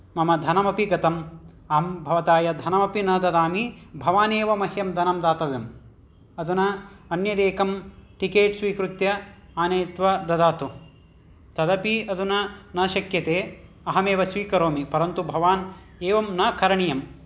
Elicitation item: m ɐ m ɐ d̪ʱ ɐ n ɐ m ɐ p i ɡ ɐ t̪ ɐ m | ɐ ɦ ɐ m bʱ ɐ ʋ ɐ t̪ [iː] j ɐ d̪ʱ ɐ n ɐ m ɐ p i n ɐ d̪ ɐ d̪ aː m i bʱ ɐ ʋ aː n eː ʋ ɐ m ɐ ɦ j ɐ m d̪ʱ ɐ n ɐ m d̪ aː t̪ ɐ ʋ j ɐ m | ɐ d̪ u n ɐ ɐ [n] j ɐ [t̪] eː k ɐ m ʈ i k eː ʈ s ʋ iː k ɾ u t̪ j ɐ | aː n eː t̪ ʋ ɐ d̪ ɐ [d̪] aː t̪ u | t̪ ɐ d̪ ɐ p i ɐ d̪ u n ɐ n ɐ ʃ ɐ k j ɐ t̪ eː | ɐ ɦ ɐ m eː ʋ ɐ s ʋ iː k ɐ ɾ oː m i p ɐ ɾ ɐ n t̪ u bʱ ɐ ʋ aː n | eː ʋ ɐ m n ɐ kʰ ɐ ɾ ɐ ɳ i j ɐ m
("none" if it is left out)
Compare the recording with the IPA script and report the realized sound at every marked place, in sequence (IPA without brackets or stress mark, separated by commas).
aː, n, d̪, d̪